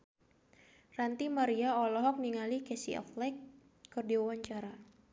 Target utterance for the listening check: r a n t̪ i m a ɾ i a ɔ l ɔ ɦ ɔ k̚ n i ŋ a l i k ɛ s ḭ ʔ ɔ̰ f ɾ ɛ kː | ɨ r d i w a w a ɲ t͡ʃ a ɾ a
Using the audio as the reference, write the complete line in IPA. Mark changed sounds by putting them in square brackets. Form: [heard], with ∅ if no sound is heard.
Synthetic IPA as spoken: r a n t̪ i m a ɾ i a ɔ l ɔ ɦ ɔ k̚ n i ŋ a l i k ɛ s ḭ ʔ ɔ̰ f [l] ɛ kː | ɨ r d i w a w a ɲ t͡ʃ a ɾ a